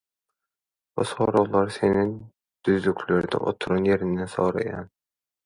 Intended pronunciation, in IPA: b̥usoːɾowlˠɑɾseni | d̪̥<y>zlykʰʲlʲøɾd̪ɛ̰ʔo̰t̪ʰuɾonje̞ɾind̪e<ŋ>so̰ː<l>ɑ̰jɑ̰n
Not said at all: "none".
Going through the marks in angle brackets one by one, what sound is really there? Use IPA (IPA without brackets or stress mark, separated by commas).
y, n, ɾ